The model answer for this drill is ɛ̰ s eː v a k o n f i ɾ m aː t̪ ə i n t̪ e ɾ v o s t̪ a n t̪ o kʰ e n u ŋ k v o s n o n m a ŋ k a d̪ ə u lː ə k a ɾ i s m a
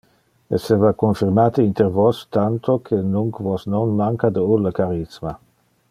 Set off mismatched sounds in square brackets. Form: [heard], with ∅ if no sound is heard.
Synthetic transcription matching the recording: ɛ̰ s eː v a k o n f i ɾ m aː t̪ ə i n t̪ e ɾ v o s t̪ a n t̪ o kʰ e n u ŋ k v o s n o n m a ŋ k a d̪ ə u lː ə k a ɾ i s m a